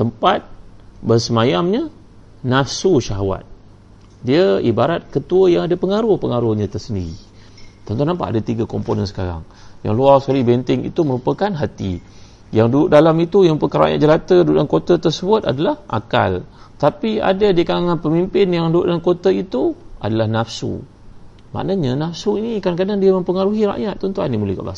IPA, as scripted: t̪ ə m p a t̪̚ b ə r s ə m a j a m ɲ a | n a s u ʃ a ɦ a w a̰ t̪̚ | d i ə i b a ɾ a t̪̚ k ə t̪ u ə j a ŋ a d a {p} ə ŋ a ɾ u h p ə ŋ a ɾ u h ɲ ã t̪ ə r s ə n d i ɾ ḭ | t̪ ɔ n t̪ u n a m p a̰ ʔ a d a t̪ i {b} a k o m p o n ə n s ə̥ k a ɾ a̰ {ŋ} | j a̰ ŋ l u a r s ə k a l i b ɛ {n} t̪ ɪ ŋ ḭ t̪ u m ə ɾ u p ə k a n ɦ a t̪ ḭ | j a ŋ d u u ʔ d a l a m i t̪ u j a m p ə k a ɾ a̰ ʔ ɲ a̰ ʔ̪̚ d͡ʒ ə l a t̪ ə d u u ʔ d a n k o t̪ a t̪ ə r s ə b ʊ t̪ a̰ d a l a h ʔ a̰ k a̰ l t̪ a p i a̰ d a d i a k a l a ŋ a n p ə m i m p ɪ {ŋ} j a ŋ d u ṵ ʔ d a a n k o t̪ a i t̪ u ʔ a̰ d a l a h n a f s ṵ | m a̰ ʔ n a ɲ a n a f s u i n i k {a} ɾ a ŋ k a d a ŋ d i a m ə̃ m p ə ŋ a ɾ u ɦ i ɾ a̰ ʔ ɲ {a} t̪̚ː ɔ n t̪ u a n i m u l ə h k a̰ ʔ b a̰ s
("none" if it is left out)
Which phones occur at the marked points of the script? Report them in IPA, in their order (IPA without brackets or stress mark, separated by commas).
p, ɡ, ŋ, n, n, a, a